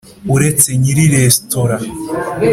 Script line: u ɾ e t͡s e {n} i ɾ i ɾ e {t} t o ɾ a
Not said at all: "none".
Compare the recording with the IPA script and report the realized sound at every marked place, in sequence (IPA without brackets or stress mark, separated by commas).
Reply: ɲ, s